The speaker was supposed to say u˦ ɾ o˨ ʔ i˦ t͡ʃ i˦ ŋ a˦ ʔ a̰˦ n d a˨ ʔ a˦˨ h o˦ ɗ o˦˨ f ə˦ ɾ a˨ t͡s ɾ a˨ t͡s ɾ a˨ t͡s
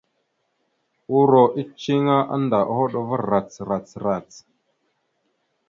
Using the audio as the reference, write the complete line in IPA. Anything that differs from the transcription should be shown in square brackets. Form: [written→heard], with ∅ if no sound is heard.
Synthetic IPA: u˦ ɾ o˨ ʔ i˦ t͡ʃ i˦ ŋ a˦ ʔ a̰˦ n d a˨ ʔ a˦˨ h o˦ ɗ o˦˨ [f→v] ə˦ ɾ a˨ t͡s ɾ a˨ t͡s ɾ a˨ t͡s